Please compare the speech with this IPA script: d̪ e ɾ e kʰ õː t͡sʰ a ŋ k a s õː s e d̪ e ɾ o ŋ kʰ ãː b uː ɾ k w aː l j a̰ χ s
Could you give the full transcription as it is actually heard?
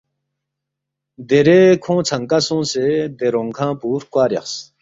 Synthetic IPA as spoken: d̪ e ɾ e kʰ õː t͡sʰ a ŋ k a s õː s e d̪ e ɾ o ŋ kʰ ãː p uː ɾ k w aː ɾ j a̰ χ s